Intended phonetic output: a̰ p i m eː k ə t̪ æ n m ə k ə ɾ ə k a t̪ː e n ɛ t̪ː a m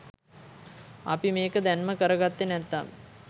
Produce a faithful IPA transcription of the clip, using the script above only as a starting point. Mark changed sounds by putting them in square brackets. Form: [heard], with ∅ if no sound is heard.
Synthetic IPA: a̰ p i m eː k ə [d̪] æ n m ə k ə ɾ ə [ɡ] a t̪ː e n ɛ t̪ː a m